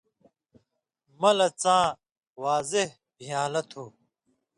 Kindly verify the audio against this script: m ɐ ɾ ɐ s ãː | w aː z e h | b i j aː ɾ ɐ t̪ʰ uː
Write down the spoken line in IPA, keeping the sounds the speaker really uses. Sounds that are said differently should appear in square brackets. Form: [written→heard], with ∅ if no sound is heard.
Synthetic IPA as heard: m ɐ [ɾ→l] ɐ [s→t͡s] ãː | w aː z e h | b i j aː [ɾ→l] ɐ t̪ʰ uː

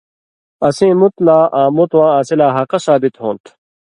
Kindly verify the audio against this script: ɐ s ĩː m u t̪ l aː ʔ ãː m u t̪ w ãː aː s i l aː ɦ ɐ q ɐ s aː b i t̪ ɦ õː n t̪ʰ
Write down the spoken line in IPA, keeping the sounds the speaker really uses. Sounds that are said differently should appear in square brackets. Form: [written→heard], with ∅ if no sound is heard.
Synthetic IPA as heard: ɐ s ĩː m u t̪ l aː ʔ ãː m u t̪ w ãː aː s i l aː ɦ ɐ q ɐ s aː b i t̪ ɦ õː n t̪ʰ

